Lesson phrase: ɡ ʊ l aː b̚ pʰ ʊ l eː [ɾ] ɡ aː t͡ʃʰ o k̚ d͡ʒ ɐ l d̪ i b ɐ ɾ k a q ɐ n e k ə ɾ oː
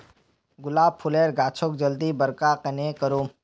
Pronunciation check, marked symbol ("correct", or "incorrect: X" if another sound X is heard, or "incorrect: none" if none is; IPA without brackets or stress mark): correct